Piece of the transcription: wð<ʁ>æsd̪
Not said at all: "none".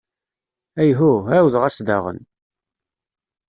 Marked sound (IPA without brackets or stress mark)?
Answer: ʁ